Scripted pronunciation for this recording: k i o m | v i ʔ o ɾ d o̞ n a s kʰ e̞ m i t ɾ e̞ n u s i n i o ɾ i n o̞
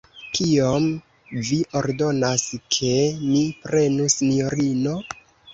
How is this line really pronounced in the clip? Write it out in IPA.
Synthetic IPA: k i o m | v i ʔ o ɾ d o̞ n a s kʰ e̞ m i p ɾ e̞ n u s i n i o ɾ i n o̞